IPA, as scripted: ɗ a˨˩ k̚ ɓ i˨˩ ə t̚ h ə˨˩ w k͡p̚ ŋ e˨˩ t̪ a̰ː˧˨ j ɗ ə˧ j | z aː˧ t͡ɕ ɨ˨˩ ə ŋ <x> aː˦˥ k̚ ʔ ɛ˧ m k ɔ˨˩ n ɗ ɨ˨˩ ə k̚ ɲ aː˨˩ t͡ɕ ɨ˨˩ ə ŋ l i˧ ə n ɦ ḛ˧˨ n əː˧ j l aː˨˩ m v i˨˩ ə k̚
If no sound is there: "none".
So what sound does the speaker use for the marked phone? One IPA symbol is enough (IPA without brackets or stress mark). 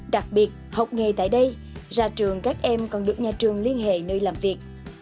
k